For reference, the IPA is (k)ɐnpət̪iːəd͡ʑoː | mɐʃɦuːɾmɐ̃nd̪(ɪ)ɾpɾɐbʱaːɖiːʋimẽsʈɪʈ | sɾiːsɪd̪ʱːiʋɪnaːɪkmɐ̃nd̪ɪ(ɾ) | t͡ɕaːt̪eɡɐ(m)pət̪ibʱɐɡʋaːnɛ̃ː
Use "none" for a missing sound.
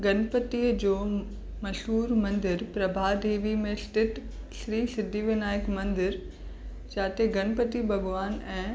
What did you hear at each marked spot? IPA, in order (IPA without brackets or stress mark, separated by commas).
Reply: ɡ, ɪ, ɾ, n